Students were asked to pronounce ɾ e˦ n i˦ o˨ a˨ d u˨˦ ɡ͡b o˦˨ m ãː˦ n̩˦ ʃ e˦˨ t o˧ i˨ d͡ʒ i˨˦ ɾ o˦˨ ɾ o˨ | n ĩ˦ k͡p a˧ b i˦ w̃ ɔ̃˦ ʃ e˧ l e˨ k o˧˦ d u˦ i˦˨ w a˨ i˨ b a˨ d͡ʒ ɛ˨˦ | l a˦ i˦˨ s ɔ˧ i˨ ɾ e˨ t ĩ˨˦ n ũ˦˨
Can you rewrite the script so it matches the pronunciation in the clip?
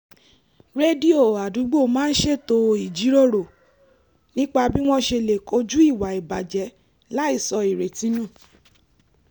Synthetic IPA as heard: ɾ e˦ d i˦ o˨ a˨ d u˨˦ ɡ͡b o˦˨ m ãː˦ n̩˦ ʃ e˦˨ t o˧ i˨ d͡ʒ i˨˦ ɾ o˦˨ ɾ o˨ | n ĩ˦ k͡p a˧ b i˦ w̃ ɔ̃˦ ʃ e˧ l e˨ k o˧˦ d͡ʒ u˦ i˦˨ w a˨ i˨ b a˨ d͡ʒ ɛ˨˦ | l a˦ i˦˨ s ɔ˧ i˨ ɾ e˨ t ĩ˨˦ n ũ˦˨